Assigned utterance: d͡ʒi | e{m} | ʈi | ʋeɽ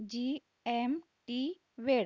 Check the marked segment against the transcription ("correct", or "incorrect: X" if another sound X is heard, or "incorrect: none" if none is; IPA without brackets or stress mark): correct